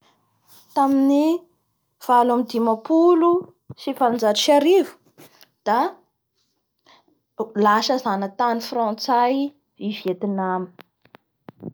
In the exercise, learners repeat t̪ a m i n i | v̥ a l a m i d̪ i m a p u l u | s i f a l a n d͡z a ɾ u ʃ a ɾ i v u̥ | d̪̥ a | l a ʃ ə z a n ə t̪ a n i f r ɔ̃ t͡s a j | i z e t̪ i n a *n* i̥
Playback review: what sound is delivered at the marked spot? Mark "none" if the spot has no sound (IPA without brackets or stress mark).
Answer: m